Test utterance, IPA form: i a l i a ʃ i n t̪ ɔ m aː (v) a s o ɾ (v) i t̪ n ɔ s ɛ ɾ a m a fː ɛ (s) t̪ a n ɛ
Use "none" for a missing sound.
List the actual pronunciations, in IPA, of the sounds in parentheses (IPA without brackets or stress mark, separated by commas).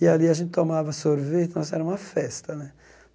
v, v, s